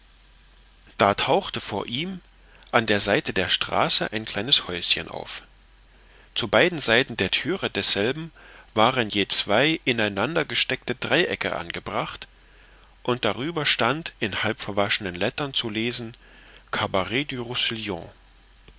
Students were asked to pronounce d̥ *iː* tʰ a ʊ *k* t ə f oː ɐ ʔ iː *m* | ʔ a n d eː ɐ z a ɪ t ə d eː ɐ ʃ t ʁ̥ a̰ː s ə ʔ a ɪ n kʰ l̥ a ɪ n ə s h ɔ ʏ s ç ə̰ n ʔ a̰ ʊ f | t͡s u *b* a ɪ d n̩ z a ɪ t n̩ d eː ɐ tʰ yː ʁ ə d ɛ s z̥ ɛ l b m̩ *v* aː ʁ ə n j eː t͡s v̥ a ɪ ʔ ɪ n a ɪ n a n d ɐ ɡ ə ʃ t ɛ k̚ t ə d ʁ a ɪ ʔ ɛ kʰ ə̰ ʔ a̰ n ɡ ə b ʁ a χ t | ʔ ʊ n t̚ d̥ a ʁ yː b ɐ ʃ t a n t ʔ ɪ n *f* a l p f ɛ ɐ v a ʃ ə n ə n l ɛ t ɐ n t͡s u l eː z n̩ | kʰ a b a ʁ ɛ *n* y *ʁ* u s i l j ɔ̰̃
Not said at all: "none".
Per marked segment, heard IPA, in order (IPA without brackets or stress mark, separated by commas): aː, x, m, b, v, h, d, ʁ